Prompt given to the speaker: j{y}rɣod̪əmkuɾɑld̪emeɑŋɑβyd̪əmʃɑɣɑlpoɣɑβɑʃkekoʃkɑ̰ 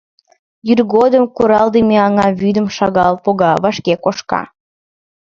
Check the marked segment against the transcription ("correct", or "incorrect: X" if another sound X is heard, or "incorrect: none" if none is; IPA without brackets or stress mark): correct